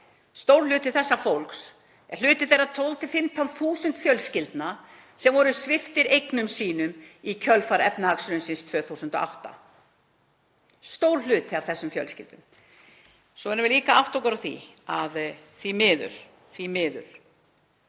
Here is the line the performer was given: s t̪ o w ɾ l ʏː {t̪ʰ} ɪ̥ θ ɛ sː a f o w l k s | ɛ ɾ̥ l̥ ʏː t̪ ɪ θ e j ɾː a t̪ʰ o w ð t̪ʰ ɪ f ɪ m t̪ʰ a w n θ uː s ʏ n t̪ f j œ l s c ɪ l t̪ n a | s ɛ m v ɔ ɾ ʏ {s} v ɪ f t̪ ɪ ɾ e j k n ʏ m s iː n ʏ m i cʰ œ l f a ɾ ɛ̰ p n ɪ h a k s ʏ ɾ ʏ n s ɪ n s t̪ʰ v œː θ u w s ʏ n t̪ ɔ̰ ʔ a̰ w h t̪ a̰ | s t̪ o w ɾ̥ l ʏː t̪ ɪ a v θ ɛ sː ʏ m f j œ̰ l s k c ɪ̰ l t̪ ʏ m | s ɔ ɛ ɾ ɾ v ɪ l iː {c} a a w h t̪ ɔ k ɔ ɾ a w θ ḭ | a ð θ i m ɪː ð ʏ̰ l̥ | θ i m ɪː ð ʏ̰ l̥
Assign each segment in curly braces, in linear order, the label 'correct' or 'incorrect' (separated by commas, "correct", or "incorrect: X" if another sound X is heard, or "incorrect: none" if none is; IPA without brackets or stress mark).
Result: incorrect: t̪, correct, incorrect: k